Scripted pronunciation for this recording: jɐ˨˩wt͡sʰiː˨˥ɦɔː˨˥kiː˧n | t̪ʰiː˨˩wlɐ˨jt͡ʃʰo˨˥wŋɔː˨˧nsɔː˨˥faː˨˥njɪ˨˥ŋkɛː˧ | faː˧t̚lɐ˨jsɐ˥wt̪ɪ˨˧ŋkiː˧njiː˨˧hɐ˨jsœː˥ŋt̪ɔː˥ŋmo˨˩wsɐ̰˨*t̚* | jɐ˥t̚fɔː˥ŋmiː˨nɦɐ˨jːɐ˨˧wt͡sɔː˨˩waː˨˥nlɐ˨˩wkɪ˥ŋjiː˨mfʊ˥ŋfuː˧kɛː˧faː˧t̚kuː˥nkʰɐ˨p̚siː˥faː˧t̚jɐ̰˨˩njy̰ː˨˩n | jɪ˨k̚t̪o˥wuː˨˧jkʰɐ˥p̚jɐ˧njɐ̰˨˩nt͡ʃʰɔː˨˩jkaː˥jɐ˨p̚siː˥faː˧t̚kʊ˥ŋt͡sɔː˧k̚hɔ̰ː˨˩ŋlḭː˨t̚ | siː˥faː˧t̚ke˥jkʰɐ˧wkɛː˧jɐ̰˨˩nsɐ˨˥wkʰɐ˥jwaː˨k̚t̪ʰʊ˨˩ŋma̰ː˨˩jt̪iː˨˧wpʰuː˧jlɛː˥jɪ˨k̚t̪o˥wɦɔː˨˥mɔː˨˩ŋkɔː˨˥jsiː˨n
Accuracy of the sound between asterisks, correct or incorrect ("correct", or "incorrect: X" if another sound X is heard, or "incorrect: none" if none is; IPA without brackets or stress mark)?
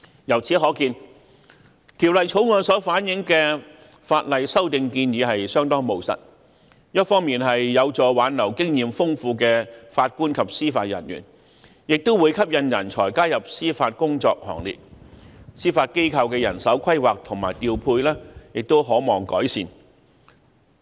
correct